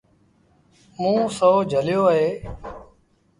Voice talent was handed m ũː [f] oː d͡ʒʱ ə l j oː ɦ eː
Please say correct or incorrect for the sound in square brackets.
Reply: incorrect